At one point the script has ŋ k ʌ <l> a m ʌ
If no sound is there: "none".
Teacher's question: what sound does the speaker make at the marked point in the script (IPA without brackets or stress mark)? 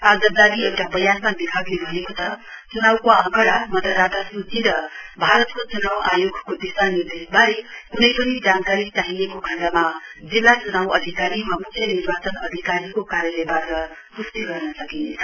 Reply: ɽ